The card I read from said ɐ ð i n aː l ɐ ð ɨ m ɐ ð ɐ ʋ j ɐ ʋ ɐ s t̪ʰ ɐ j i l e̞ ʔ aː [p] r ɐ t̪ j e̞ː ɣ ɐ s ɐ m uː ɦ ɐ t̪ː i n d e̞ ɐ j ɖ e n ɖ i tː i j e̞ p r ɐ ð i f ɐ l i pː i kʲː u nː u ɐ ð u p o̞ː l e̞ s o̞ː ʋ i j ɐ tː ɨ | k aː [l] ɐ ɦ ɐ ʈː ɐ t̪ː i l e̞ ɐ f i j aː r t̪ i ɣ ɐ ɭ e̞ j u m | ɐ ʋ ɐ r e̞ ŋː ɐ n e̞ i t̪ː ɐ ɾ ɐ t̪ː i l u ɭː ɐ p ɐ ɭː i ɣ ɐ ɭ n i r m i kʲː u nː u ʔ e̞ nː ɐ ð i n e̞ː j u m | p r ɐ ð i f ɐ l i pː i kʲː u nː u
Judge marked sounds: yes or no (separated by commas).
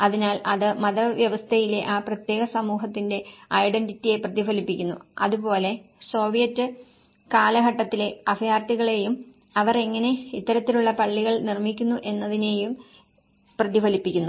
yes, yes